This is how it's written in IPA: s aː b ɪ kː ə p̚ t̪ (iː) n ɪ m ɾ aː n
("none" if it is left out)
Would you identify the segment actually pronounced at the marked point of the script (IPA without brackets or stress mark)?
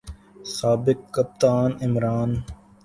aː